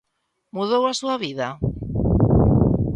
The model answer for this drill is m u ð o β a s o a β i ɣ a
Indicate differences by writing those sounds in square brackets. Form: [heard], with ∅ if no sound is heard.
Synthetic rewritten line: m u ð o [w] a s [u] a β i [ð] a